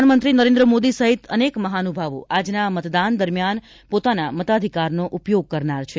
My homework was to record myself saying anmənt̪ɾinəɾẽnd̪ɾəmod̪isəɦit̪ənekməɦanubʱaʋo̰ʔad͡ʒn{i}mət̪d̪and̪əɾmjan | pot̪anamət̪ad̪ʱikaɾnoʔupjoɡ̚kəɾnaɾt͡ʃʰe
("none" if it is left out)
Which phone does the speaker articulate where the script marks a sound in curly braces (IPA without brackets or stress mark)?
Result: a